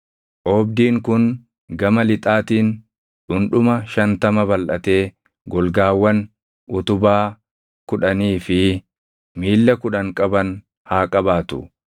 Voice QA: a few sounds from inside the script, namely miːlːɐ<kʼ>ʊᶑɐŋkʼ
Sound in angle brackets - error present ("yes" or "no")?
yes